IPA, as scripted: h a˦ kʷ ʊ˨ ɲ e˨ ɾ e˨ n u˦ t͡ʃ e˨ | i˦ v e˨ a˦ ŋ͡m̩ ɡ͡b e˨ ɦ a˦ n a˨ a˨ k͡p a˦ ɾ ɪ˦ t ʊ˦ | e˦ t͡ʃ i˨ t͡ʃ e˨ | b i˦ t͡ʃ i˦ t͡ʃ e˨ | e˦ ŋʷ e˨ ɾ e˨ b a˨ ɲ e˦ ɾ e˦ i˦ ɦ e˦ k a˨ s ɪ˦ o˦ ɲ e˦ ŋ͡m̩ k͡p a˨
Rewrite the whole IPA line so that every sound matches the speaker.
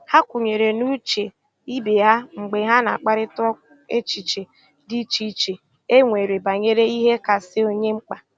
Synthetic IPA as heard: h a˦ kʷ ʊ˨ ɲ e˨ ɾ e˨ n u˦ t͡ʃ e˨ | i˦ b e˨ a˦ ŋ͡m̩ ɡ͡b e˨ ɦ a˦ n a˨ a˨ k͡p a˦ ɾ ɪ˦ t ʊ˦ | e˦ t͡ʃ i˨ t͡ʃ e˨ | d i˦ t͡ʃ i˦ t͡ʃ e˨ | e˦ ŋʷ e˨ ɾ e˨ b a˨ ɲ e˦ ɾ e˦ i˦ ɦ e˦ k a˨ s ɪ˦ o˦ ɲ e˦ ŋ͡m̩ k͡p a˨